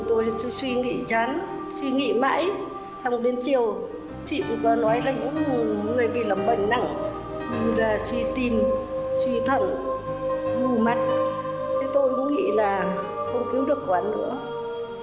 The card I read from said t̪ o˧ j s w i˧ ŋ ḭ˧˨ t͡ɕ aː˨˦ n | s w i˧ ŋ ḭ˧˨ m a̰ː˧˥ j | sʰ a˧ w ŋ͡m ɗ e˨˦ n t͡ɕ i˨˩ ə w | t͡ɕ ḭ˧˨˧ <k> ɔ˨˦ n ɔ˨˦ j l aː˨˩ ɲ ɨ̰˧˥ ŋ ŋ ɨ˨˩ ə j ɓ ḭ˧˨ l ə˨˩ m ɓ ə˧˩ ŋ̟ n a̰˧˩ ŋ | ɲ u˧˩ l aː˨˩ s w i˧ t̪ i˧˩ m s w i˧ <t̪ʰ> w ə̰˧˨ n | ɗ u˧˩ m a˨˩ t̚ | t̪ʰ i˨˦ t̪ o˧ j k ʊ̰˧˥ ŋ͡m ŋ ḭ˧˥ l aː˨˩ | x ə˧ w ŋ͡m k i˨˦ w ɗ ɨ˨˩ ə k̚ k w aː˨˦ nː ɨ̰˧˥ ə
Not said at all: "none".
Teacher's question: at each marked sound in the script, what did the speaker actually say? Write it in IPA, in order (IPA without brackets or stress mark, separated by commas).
k, t̪ʰ